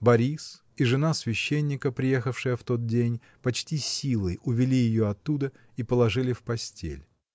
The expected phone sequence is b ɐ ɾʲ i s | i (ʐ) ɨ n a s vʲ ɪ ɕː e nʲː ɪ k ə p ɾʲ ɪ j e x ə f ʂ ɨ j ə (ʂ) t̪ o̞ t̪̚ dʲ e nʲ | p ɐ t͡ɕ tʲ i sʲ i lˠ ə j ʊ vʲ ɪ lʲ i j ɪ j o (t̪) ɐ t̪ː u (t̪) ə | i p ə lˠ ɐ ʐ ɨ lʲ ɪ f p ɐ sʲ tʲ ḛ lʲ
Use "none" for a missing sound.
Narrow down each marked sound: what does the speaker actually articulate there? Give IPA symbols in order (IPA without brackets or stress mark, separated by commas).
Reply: ʐ, f, none, d̪